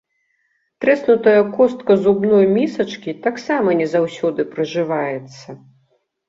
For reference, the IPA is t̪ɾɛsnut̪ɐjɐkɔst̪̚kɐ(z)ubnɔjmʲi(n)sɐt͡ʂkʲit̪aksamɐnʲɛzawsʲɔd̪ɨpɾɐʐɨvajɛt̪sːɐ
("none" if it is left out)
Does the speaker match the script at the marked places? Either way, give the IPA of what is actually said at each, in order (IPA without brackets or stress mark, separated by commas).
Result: z, none